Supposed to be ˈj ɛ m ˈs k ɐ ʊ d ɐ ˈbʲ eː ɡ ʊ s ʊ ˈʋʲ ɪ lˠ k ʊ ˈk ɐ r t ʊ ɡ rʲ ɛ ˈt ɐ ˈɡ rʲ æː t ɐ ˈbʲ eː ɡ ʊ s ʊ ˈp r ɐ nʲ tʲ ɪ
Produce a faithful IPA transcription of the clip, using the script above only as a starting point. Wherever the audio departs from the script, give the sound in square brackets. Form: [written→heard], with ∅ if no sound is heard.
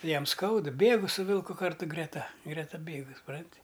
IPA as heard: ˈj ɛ m ˈs k ɐ ʊ d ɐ ˈbʲ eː ɡ ʊ s ʊ ˈʋʲ ɪ lˠ k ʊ ˈk ɐ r t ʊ ɡ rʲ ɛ ˈt ɐ ˈɡ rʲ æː t ɐ ˈbʲ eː ɡ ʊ s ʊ ˈp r ɐ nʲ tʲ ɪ

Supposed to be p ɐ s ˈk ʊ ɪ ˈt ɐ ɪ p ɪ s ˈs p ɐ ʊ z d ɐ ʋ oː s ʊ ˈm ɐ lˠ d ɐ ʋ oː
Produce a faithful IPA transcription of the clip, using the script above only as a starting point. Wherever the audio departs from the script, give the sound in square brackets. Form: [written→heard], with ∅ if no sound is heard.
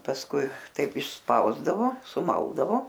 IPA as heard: p ɐ s ˈk ʊ ɪ ˈt ɐ ɪ p ɪ [s→ʃ] ˈs p ɐ ʊ z d ɐ ʋ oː s ʊ ˈm ɐ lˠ d ɐ ʋ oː

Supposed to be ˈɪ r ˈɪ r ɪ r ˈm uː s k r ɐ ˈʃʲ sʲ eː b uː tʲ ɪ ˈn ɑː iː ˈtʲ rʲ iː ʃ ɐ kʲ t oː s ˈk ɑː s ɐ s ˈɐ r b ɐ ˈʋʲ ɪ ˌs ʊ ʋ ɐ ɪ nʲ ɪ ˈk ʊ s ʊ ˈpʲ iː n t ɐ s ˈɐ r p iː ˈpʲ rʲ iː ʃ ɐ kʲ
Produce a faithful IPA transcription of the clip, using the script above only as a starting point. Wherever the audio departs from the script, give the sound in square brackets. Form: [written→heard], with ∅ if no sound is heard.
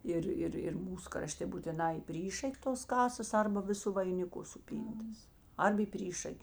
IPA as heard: ˈɪ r ˈɪ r ɪ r ˈm uː s k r ɐ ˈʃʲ [sʲ→tʲ] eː b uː tʲ ɪ ˈn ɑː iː [ˈtʲ→ˈpʲ] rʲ iː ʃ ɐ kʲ t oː s ˈk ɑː s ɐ s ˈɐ r b ɐ ˈʋʲ ɪ ˌs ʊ ʋ ɐ ɪ nʲ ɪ ˈk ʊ s ʊ ˈpʲ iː n t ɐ s ˈɐ r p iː ˈpʲ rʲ iː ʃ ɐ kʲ

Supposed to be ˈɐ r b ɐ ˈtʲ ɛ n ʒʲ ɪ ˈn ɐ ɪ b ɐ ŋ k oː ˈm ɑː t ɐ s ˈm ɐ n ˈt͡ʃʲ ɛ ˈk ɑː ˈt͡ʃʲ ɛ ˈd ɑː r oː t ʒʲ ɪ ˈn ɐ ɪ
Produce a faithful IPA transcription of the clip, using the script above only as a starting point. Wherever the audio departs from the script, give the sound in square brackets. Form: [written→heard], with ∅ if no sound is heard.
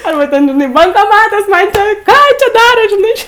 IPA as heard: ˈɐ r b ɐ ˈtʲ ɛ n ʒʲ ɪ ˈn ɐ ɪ b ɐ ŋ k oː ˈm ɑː t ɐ s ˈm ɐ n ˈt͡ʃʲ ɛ ˈk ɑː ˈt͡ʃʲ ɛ ˈd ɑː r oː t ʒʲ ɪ ˈn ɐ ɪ

